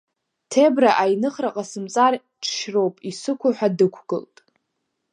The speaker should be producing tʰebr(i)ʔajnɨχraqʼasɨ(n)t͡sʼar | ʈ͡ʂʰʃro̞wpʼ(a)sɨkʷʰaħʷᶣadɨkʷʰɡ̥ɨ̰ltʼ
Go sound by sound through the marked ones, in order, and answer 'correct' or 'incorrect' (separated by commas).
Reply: incorrect, incorrect, incorrect